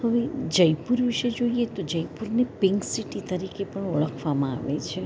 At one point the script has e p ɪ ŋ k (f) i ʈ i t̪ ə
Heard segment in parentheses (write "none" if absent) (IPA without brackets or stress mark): s